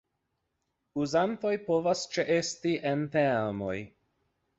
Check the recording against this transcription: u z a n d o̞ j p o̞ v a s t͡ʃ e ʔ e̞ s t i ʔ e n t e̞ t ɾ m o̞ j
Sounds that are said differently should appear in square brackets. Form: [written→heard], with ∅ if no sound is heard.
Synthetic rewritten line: u z a n [d→t] o̞ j p o̞ v a s t͡ʃ e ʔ e̞ s t i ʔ e n t e̞ [t→∅] ɾ m o̞ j